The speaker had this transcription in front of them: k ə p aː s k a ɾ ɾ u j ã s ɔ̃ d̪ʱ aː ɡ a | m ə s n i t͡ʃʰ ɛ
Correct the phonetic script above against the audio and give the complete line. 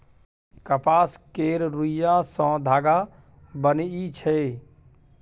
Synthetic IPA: k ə p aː s k e ɾ ɾ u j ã s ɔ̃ d̪ʱ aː ɡ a | b ə n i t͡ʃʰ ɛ